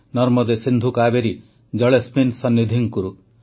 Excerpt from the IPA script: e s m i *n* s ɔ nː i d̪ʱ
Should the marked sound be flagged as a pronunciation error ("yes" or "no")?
no